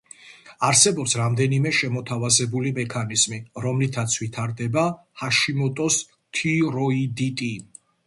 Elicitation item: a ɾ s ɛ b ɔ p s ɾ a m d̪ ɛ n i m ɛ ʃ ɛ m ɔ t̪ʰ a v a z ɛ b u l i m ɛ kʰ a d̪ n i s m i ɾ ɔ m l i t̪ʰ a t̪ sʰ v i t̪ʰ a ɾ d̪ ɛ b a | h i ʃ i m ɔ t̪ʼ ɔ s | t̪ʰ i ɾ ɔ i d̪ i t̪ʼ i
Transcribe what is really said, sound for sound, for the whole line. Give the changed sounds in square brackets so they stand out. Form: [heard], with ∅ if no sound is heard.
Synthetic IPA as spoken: a ɾ s ɛ b ɔ p s ɾ a m d̪ ɛ n i m ɛ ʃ ɛ m ɔ t̪ʰ a v a z ɛ b u l i m ɛ kʰ a [∅] n i [z] m i ɾ ɔ m l i t̪ʰ a t̪ sʰ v i t̪ʰ a ɾ d̪ ɛ b a | h [a] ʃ i m ɔ t̪ʼ ɔ s | t̪ʰ i ɾ ɔ i d̪ i t̪ʼ i